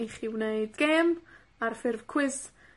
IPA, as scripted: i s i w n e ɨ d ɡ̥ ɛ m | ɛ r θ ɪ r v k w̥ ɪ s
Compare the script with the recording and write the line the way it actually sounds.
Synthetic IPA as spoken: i χ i w n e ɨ d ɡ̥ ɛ m | a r f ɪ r v kʰ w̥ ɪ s